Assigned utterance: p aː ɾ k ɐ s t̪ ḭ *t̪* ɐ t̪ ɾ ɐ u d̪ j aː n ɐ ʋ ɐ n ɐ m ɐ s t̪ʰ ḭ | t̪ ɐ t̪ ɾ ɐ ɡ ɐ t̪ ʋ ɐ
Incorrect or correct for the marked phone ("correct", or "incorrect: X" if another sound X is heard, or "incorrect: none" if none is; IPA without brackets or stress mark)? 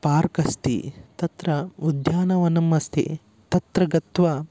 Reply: correct